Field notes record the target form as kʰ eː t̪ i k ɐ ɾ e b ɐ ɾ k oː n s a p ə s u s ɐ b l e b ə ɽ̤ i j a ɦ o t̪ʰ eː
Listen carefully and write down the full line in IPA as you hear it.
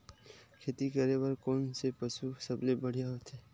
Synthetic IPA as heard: kʰ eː t̪ i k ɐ ɾ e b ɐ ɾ k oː n s e p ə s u s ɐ b l e b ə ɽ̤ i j a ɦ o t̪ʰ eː